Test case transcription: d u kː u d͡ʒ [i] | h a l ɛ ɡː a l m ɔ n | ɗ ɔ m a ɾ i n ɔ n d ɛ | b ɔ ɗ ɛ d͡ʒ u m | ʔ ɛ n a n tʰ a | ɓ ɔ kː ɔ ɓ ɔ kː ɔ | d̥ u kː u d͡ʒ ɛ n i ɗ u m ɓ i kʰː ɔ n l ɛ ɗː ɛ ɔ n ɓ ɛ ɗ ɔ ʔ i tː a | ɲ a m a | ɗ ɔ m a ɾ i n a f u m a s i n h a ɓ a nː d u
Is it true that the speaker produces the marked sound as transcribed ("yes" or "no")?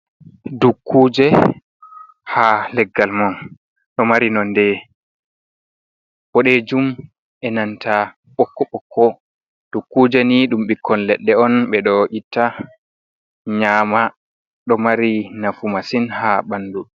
no